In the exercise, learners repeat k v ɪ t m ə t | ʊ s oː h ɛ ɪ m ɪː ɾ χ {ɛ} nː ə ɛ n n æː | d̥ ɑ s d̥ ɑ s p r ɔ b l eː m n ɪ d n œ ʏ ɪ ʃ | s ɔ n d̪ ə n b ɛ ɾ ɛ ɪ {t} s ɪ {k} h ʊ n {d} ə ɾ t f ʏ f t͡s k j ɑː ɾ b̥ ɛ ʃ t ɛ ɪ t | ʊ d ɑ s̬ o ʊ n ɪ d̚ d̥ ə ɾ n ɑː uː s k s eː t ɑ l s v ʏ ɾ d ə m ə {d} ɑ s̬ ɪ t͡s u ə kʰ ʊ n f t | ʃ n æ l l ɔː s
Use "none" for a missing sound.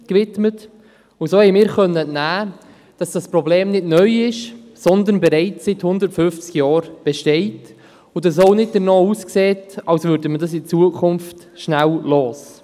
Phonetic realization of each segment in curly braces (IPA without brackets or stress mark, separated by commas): œ, t͡s, t, d, d